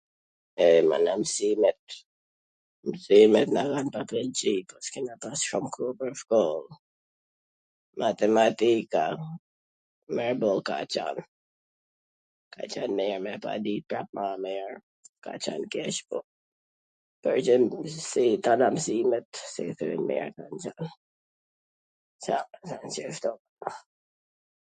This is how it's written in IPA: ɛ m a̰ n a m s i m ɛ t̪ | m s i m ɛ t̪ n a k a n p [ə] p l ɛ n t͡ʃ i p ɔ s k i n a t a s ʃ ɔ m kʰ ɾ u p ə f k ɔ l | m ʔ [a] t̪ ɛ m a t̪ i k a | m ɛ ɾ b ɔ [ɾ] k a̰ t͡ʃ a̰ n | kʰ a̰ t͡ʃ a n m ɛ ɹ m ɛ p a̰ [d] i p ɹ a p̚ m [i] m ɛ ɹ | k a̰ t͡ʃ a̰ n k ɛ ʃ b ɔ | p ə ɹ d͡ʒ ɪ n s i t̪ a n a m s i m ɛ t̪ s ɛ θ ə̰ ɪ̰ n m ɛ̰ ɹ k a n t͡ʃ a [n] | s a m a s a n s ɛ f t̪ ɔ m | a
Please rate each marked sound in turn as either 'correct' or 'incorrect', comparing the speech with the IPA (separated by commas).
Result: incorrect, correct, incorrect, correct, incorrect, correct